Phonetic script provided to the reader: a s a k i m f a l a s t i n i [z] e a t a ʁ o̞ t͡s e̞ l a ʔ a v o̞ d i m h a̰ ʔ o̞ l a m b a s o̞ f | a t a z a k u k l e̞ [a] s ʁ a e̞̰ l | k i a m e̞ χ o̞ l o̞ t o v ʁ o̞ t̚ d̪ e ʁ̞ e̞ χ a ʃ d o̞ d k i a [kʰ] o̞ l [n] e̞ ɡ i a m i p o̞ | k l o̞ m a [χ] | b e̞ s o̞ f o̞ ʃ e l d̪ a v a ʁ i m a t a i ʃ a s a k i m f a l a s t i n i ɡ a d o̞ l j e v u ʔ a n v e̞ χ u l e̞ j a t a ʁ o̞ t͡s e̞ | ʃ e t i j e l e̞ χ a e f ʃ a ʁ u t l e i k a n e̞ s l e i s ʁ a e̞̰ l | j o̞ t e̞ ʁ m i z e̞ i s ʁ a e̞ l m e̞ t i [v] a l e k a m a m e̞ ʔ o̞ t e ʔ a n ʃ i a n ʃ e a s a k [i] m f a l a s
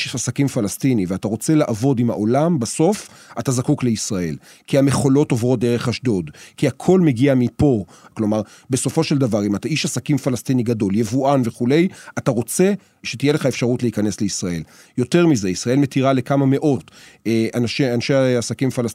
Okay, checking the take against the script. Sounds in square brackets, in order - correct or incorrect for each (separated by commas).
incorrect, incorrect, correct, incorrect, incorrect, incorrect, correct